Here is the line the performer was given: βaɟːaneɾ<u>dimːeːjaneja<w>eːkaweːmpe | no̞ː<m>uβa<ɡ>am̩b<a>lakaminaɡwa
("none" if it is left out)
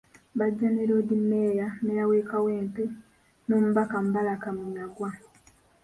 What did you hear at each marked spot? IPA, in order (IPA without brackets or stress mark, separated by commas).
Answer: o, w, m, k, a